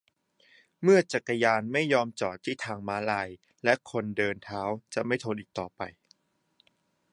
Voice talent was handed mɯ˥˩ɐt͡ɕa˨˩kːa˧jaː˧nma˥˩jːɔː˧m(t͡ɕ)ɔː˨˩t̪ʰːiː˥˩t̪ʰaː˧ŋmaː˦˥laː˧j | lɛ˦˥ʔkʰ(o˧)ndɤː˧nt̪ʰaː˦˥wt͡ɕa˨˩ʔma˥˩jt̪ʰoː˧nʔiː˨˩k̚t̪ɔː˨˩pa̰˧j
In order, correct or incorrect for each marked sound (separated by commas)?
correct, correct